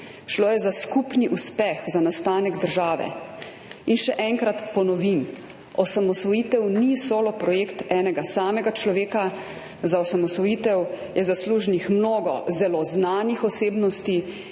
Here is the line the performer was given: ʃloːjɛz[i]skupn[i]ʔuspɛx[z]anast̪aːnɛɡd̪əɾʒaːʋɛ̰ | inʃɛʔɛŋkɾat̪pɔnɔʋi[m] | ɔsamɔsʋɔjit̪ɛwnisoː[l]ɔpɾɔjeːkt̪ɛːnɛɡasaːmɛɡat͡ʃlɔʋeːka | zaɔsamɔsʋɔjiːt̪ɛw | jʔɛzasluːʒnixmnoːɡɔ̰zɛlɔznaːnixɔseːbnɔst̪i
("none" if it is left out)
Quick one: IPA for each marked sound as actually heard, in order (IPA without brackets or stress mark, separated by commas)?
a, i, z, m, l